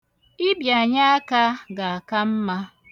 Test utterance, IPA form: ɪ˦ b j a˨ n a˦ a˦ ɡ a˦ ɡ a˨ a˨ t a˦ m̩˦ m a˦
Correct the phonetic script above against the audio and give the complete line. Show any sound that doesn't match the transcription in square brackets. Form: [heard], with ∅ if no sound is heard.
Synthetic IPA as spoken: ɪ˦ b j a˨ [ɲ] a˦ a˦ [k] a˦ ɡ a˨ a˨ [k] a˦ m̩˦ m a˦